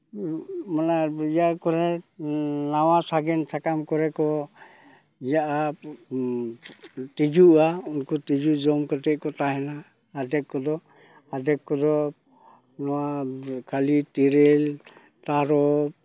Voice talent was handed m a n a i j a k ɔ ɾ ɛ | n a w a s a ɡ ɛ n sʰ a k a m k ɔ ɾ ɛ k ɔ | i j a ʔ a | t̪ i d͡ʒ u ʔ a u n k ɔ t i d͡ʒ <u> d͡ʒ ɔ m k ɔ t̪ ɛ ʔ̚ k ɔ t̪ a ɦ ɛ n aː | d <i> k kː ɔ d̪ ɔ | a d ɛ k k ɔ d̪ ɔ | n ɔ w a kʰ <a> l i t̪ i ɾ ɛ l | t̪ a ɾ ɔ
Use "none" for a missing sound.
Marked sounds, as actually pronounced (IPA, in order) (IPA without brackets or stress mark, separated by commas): u, ɛ, a